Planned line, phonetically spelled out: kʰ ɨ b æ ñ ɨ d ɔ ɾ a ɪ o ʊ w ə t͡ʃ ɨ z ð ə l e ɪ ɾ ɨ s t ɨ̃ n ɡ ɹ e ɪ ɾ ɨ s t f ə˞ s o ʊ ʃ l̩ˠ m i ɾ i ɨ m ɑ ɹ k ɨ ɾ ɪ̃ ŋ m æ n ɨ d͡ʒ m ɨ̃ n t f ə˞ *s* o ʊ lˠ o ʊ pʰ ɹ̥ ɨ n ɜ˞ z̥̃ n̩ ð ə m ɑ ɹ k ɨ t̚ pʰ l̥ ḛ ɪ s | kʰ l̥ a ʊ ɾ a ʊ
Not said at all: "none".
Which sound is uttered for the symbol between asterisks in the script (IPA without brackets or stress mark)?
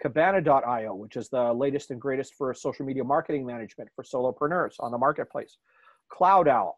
s